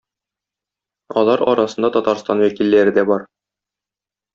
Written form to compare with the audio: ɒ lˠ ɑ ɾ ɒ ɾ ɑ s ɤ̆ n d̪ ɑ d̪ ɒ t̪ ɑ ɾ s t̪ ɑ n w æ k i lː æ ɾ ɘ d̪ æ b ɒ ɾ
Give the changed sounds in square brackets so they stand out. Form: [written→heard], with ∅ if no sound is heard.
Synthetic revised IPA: ɒ lˠ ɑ ɾ ɒ ɾ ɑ s ɤ̆ n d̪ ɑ [d̪→t̪] ɒ t̪ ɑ ɾ s t̪ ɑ n w æ k i lː æ ɾ ɘ d̪ æ b ɒ ɾ